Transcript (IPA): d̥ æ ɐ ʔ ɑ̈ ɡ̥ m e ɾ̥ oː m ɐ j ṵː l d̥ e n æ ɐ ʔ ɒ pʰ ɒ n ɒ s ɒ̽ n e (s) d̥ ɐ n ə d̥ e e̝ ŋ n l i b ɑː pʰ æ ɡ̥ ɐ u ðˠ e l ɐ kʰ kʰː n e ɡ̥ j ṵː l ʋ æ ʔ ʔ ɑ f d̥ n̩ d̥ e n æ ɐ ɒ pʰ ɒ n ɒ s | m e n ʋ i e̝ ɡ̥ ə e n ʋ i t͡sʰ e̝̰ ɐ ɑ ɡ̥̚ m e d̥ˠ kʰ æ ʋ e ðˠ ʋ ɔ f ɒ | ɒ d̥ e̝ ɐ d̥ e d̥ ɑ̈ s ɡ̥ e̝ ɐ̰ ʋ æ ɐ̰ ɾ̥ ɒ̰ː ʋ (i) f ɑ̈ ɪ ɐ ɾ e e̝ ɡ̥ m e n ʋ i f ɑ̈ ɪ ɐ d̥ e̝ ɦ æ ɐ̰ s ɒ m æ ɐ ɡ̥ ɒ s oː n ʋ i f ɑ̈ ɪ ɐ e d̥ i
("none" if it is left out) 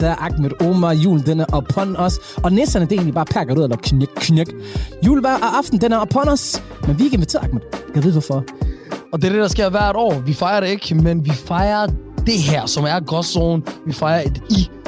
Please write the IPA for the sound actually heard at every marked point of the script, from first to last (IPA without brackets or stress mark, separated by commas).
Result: s, i